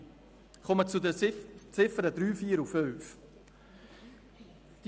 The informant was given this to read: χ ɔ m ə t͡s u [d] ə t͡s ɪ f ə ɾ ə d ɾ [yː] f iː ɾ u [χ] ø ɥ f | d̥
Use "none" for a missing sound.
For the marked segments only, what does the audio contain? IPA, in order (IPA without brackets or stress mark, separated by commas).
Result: d, yː, f